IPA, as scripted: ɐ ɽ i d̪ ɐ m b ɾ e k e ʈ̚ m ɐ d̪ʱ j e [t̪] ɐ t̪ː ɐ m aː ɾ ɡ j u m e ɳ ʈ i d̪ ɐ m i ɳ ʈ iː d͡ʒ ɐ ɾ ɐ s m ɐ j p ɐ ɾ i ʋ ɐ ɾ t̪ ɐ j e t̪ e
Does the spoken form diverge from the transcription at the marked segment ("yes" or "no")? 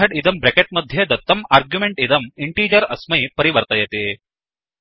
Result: yes